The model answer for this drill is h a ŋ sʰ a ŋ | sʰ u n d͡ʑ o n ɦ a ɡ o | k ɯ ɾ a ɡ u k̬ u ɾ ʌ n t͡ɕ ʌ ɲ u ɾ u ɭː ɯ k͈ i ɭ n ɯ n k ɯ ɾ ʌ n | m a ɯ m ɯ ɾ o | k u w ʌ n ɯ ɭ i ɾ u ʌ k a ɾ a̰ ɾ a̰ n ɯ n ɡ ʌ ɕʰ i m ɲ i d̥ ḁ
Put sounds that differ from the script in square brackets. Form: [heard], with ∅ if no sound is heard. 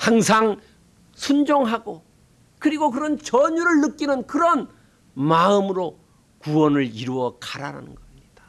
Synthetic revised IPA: h a ŋ sʰ a ŋ | sʰ u n d͡ʑ o [ŋ] ɦ a ɡ o | k ɯ ɾ [i] ɡ [o] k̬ [ɯ] ɾ ʌ n t͡ɕ ʌ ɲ u ɾ [ɯ] ɭː ɯ k͈ i [∅] n ɯ n k ɯ ɾ ʌ n | m a ɯ m ɯ ɾ o | k u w ʌ n ɯ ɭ i ɾ u ʌ k a ɾ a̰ ɾ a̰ n ɯ n ɡ ʌ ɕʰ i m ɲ i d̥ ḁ